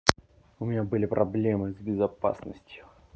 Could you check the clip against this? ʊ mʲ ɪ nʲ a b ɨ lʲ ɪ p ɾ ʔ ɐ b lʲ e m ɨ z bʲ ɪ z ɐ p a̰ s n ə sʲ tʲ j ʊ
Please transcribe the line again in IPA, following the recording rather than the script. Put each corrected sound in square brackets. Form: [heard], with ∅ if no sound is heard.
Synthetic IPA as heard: ʊ mʲ ɪ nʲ a b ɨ lʲ ɪ p ɾ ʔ ɐ b lʲ e m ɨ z bʲ ɪ z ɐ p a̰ s n ə sʲ tʲ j ʊ

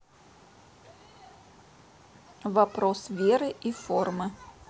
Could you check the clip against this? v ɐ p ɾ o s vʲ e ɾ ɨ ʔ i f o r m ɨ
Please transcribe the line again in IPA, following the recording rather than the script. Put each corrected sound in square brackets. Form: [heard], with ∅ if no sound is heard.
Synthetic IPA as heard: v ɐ p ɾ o s vʲ e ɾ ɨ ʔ i f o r m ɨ

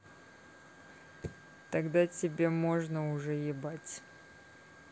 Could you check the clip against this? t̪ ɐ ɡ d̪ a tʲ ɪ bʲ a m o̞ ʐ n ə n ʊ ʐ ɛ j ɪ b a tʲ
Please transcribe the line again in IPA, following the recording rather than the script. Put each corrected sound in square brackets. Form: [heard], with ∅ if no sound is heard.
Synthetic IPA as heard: t̪ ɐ ɡ d̪ a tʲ ɪ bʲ [e] m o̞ ʐ n ə [∅] ʊ ʐ ɛ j ɪ b a tʲ

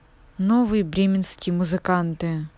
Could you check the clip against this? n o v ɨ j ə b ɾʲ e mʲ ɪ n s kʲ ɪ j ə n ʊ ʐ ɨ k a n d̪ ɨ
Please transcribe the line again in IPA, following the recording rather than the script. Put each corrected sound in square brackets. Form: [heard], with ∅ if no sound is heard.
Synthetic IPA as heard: n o v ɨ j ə b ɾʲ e mʲ ɪ n s kʲ ɪ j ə [m] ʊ [z] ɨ k a n [t̪] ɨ

